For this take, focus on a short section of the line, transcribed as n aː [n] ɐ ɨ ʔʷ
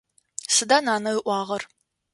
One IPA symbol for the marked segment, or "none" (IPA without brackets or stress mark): n